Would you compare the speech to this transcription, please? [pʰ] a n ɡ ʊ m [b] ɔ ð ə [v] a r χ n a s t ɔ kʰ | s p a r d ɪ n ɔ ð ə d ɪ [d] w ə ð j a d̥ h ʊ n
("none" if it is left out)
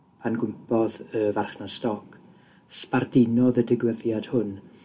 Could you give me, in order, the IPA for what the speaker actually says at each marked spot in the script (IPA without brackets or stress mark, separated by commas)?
pʰ, p, v, ɡ